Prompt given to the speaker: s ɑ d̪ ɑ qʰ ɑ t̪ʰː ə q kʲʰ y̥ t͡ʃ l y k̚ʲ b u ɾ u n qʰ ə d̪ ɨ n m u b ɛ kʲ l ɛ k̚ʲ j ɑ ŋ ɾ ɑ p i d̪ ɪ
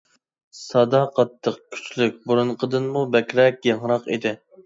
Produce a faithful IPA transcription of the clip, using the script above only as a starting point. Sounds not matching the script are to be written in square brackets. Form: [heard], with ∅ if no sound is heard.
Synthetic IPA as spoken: s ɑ d̪ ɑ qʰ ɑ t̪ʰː ə q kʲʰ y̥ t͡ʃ l y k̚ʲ b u ɾ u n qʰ ə d̪ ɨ n m u b ɛ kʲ [ɾ] ɛ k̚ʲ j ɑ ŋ ɾ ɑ [q] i d̪ ɪ